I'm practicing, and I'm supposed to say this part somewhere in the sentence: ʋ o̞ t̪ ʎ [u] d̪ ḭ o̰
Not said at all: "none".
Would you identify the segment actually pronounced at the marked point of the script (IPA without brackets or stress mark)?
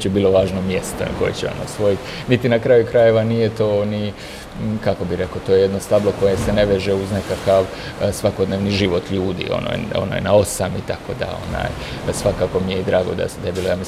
uː